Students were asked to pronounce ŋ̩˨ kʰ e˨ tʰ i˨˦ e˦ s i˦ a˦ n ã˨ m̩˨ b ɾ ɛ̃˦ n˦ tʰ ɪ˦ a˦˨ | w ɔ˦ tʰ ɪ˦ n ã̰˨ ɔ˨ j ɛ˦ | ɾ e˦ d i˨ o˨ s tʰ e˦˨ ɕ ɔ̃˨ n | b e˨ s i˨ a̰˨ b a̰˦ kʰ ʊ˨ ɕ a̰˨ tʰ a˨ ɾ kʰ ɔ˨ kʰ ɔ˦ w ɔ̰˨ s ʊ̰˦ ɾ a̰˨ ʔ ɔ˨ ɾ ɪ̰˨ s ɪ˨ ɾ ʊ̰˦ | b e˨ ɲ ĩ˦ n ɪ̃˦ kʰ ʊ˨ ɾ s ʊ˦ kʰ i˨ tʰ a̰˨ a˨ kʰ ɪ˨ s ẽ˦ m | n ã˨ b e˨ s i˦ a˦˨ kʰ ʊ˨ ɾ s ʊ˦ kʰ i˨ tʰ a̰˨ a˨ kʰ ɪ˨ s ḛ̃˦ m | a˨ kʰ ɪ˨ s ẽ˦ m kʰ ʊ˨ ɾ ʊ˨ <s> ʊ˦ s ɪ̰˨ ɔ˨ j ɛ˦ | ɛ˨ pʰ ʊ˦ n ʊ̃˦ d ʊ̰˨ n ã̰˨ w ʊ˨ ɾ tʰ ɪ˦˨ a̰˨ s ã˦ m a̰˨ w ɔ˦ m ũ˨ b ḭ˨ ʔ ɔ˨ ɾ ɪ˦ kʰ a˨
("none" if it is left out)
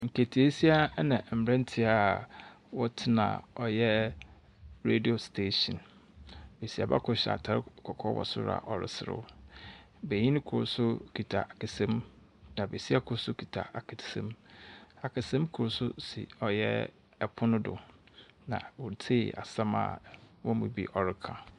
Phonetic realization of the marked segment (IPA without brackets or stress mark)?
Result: s